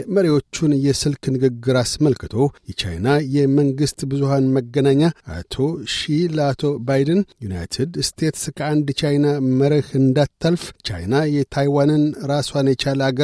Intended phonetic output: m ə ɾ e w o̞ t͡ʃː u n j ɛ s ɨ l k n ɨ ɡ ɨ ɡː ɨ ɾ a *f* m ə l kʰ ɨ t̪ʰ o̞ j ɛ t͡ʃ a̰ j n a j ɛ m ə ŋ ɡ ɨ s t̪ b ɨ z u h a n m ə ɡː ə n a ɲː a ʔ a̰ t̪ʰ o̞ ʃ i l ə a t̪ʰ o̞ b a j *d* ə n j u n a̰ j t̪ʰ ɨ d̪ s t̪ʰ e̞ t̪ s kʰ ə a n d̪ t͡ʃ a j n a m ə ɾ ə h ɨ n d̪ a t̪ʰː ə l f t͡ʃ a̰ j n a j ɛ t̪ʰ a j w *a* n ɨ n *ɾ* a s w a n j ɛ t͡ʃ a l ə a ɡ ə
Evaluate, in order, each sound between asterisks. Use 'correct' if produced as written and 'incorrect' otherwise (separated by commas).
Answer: incorrect, correct, correct, correct